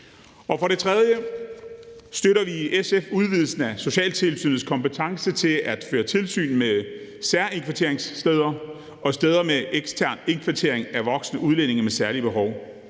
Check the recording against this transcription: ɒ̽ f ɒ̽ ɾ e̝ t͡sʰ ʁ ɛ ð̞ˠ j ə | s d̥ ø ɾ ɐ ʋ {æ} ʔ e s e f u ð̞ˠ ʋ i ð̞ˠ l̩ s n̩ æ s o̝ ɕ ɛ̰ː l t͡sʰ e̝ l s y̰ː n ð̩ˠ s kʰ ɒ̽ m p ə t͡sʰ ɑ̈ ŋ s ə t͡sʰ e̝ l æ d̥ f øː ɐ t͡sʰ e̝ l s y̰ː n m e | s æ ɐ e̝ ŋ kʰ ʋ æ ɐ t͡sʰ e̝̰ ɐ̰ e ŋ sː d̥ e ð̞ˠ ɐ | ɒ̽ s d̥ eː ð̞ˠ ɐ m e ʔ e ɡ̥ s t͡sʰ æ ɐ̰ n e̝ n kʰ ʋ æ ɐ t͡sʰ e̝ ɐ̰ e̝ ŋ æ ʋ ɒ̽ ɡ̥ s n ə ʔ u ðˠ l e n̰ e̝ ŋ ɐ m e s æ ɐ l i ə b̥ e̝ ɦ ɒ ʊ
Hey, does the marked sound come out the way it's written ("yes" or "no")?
no